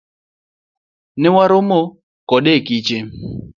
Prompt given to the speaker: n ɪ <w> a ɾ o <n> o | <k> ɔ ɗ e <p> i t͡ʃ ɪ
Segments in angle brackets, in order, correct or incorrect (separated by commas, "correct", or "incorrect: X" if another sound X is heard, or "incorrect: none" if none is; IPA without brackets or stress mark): correct, incorrect: m, correct, incorrect: k